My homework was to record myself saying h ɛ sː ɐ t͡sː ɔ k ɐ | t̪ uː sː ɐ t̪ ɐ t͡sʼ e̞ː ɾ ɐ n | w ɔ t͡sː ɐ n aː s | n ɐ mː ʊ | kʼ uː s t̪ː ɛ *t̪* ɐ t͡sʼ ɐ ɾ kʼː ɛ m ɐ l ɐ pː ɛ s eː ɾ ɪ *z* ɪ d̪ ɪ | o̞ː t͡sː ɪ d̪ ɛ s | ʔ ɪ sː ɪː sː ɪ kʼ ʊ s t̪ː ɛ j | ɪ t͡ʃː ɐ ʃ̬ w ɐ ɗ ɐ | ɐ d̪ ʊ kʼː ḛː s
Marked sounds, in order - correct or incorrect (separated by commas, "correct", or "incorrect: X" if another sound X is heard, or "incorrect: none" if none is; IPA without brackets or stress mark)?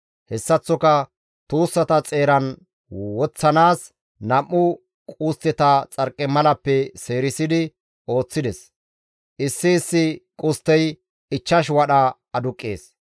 correct, incorrect: s